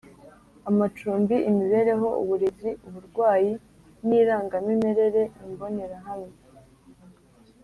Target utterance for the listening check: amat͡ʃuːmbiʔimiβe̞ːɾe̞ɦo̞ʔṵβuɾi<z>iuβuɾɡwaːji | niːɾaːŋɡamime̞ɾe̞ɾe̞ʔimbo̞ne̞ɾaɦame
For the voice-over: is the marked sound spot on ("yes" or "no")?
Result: yes